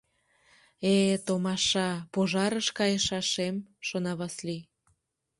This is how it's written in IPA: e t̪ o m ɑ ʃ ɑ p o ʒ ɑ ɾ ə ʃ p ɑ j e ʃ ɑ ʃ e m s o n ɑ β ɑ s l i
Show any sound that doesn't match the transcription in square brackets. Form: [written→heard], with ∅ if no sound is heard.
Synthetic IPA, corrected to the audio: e t̪ o m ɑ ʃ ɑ p o ʒ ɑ ɾ ə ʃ [p→k] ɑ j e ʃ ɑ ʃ e m [s→ʃ] o n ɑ β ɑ s l i